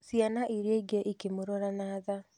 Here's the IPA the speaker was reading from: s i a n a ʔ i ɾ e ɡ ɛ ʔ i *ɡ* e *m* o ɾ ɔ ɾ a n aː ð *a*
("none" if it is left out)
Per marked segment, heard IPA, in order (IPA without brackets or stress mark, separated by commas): k, m, a